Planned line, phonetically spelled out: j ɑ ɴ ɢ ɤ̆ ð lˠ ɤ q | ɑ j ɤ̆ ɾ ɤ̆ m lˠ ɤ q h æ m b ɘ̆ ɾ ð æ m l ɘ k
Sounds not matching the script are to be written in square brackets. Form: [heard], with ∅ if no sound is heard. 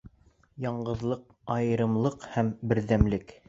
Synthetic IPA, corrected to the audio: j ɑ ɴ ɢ ɤ̆ ð lˠ ɤ q | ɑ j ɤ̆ ɾ ɤ̆ m lˠ ɤ q h æ m b ɘ̆ ɾ ð æ m l ɘ k